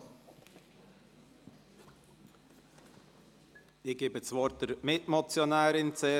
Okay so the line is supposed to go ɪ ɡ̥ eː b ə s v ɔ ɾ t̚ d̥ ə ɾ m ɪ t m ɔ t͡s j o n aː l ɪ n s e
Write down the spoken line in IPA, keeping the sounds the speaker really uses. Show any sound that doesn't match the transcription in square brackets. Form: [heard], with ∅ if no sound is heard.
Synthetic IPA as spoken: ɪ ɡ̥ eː b ə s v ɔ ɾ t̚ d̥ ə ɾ m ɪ t m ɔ t͡s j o n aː [ɾ] ɪ n [t͡s] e